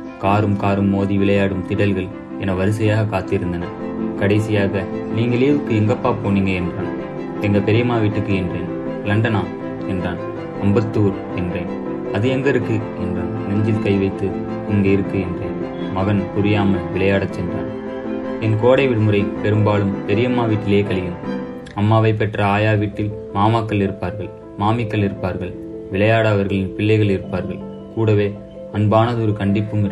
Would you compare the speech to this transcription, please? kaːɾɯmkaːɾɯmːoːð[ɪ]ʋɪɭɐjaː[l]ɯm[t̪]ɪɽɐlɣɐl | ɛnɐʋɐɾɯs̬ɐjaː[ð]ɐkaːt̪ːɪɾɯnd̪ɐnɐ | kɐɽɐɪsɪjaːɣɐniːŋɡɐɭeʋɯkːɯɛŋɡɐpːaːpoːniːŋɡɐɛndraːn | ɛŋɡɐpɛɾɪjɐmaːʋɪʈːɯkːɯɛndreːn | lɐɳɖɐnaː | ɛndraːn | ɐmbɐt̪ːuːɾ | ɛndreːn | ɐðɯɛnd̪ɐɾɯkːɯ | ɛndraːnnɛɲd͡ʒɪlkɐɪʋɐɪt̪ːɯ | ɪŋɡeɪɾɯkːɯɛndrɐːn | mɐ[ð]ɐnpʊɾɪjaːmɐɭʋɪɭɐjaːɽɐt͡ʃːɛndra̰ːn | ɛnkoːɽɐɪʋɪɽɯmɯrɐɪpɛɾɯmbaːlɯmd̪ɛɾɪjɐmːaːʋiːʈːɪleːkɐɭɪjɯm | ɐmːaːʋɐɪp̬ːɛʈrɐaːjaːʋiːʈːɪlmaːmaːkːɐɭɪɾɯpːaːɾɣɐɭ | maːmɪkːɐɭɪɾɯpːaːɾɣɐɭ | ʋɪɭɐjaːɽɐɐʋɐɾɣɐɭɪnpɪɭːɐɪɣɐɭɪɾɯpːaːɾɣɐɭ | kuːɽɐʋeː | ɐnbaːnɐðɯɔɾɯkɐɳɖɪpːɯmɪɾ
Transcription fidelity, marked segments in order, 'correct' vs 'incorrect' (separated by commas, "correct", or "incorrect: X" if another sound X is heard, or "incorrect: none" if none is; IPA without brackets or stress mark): incorrect: i, incorrect: ɽ, correct, incorrect: ɣ, incorrect: ɣ